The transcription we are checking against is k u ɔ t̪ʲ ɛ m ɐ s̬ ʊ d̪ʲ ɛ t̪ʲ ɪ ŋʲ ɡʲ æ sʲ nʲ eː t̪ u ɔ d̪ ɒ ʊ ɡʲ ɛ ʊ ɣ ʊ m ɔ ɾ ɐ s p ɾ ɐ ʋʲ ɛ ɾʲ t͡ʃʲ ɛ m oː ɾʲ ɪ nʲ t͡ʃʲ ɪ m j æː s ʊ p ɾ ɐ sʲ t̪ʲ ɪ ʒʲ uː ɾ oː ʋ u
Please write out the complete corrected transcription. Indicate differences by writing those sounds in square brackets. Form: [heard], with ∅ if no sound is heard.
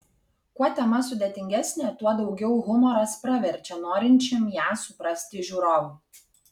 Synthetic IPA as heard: k u ɔ t̪ʲ ɛ m ɐ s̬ ʊ d̪ʲ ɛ t̪ʲ ɪ ŋʲ ɡʲ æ sʲ nʲ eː t̪ u ɔ d̪ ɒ ʊ ɡʲ ɛ ʊ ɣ ʊ m ɔ ɾ ɐ s p ɾ ɐ ʋʲ ɛ ɾʲ t͡ʃʲ ɛ [n] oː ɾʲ ɪ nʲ t͡ʃʲ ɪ m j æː s ʊ p ɾ ɐ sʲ t̪ʲ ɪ ʒʲ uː ɾ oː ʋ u